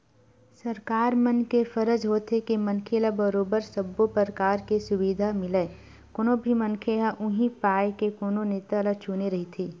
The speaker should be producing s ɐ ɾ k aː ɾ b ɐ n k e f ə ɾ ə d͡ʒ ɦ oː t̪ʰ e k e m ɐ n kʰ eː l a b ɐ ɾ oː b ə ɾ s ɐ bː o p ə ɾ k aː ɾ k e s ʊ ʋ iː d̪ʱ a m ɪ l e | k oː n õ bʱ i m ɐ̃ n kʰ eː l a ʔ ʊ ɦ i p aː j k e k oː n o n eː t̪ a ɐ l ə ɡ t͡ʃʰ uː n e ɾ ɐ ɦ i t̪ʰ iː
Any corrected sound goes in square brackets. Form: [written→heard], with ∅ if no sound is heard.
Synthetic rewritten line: s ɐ ɾ k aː ɾ [b→m] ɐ n k e f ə ɾ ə d͡ʒ ɦ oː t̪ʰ e k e m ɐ n kʰ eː l a b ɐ ɾ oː b ə ɾ s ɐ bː o p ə ɾ k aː ɾ k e s ʊ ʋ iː d̪ʱ a m ɪ l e | k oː n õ bʱ i m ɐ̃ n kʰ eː l a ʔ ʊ ɦ i p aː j k e k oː n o n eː t̪ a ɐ l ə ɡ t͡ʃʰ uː n e ɾ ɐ ɦ i t̪ʰ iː